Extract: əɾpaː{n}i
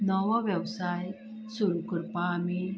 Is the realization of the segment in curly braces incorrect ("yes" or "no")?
yes